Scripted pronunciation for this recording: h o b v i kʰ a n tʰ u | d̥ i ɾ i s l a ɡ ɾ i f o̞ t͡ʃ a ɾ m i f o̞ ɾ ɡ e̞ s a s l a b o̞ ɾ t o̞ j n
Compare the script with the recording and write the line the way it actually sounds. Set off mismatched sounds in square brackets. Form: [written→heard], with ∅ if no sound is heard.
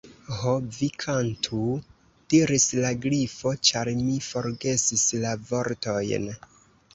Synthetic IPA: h o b v i kʰ a n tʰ u | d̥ i ɾ i s l a ɡ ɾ i f o̞ t͡ʃ a ɾ m i f o̞ ɾ ɡ e̞ s [a→i] s l a [b→v] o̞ ɾ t o̞ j n